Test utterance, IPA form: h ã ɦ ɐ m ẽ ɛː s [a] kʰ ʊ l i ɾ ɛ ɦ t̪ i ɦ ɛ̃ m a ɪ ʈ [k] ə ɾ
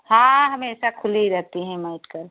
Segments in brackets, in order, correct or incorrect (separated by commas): correct, correct